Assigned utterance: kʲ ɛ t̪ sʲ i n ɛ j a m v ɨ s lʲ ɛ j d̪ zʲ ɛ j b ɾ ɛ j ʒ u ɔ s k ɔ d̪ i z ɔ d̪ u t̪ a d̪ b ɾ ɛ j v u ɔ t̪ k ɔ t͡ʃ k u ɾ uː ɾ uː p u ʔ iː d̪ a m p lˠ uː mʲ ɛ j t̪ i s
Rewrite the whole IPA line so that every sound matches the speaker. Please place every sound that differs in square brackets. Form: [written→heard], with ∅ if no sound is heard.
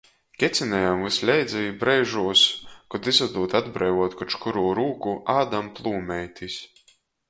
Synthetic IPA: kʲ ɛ t̪ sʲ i n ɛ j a m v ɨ s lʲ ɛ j d̪ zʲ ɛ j b ɾ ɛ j ʒ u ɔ s k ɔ d̪ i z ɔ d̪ [u→uː] t̪ a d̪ b ɾ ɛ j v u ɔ t̪ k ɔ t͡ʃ k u ɾ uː ɾ uː [p→k] u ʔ [iː→aː] d̪ a m p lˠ uː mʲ ɛ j t̪ i s